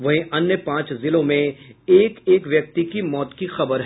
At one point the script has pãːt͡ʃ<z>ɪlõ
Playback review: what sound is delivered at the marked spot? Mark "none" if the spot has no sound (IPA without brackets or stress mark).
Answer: z